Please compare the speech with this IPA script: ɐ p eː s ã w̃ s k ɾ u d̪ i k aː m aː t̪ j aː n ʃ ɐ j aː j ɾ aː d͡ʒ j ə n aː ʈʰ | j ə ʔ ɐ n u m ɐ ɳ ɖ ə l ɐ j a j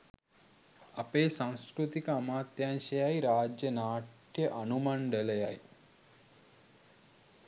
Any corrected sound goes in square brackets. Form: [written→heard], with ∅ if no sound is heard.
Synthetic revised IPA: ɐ p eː s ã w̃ s k ɾ u [d̪→t̪] i k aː m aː t̪ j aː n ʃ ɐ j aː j ɾ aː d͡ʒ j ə n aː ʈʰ | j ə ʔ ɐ n u m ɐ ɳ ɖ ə l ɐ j a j